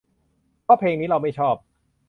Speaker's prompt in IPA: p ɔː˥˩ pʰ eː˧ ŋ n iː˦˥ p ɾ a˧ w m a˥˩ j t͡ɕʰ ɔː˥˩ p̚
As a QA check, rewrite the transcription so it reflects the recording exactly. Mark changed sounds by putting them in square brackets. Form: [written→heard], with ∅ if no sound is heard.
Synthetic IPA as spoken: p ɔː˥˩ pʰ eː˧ ŋ n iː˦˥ [p→∅] ɾ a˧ w m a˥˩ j t͡ɕʰ ɔː˥˩ p̚